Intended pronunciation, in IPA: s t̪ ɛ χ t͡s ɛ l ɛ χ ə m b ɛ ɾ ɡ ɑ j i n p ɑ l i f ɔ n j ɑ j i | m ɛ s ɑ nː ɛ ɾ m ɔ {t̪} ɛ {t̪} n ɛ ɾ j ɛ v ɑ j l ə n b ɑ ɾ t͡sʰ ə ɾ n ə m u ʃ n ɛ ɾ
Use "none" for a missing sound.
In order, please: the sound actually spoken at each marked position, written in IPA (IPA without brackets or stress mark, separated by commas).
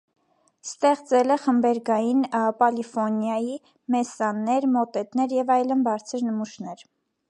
t̪, t̪